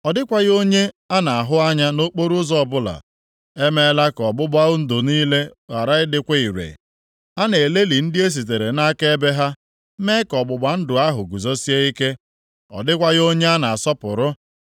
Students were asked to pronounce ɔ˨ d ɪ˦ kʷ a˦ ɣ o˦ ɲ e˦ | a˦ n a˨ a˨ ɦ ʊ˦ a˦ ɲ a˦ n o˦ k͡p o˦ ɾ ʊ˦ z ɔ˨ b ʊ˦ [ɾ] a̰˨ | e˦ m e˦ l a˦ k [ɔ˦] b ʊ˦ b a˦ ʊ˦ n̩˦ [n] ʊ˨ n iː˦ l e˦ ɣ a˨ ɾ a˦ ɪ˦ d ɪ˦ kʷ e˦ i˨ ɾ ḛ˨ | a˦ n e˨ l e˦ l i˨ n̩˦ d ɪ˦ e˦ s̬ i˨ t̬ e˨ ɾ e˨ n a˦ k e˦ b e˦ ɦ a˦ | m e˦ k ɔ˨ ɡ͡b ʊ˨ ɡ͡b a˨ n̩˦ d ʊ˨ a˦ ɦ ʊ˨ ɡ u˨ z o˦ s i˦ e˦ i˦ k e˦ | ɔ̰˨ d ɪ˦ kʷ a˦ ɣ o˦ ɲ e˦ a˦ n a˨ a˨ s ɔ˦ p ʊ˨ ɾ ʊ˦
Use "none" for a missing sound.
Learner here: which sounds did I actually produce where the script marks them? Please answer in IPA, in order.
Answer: l, ɔ˨, d

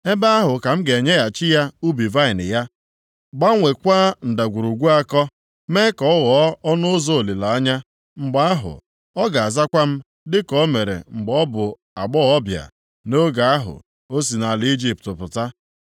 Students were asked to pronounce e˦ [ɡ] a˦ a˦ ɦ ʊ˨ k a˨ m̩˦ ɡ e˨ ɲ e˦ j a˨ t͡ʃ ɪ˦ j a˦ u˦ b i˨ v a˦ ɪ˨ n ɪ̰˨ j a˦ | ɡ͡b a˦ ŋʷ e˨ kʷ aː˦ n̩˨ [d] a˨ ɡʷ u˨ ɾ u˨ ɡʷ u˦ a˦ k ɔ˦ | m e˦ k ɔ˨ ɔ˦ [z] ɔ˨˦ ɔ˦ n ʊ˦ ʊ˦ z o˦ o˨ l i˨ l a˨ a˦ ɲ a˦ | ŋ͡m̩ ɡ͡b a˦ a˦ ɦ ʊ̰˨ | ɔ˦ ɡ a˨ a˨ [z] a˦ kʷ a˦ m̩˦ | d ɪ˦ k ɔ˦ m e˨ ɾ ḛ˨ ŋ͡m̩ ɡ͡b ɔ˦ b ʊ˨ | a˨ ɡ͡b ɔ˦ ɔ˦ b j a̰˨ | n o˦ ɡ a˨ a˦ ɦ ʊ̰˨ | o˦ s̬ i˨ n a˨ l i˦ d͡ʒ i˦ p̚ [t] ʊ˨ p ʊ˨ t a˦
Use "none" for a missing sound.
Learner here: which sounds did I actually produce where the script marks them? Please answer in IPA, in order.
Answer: b, d, ɣ, z, t

